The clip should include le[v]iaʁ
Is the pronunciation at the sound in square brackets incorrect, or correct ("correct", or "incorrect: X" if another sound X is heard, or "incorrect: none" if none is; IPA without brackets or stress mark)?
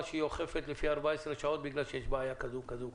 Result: incorrect: f